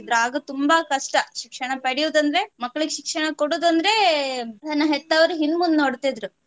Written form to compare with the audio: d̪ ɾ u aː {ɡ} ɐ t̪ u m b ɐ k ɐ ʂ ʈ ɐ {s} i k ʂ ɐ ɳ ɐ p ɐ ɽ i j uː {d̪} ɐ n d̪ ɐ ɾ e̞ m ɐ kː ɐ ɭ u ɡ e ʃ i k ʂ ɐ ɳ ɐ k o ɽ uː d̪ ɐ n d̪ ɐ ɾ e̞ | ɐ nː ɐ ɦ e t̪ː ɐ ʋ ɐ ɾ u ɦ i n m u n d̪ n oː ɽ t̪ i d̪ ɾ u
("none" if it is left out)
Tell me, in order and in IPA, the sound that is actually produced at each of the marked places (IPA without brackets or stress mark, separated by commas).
ɡ, ʃ, d̪